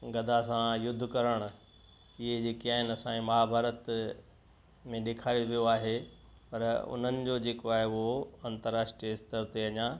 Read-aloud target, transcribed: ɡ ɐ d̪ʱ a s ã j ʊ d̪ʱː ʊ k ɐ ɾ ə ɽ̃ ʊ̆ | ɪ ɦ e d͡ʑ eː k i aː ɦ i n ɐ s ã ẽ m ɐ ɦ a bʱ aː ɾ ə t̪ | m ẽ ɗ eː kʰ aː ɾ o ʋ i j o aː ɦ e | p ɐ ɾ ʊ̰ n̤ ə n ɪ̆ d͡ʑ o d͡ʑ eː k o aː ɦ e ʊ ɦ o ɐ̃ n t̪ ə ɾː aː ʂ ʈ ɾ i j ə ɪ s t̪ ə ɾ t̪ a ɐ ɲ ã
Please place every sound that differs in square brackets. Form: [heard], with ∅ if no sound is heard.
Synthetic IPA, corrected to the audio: ɡ ɐ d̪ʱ a s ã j ʊ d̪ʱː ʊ k ɐ ɾ ə ɽ̃ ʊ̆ | ɪ ɦ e d͡ʑ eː k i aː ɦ [ɪ] n ɐ s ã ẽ m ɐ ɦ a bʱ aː ɾ ə t̪ | m ẽ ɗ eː kʰ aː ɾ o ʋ i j o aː ɦ e | p ɐ ɾ ʊ̰ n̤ ə n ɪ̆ d͡ʑ o d͡ʑ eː k o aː ɦ e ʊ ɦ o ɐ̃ n t̪ ə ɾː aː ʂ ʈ ɾ i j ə ɪ s t̪ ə ɾ t̪ [e] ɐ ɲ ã